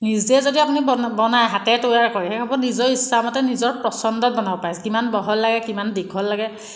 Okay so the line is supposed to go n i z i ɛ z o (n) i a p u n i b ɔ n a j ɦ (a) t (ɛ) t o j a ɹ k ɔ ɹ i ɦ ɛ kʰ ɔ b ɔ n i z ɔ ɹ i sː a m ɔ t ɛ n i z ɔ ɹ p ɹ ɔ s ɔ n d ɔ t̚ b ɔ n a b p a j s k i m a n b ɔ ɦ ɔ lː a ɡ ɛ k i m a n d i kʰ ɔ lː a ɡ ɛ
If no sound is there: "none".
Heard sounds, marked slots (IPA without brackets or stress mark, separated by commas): d, a, ɛ